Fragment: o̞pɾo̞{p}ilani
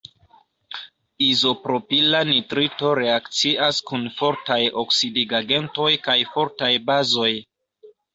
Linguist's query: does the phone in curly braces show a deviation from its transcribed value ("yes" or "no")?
no